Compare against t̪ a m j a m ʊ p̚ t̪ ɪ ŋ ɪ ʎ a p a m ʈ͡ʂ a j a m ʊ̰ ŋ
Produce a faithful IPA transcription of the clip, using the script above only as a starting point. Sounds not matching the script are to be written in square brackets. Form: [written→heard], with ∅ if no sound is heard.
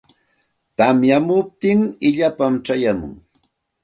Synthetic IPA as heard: t̪ a m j a m ʊ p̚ t̪ ɪ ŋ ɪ ʎ a p a m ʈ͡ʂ a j a m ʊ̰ ŋ